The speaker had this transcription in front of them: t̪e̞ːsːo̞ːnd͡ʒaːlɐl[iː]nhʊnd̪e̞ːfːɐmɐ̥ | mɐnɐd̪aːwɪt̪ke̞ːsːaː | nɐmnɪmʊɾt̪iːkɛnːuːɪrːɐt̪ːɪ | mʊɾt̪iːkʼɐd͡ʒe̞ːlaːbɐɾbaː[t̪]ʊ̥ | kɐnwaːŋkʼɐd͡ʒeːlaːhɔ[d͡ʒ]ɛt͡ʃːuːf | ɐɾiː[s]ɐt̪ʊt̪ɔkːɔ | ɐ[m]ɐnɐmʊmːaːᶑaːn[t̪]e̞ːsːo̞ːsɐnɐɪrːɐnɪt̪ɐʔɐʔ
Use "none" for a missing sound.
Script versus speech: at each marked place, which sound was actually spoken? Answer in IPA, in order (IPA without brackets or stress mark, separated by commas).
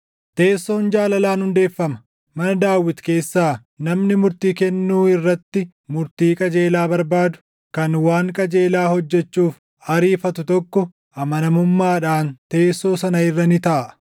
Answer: aː, d̪, d͡ʒː, f, m, t̪